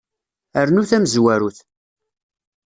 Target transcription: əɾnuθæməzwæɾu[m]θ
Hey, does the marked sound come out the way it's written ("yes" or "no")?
no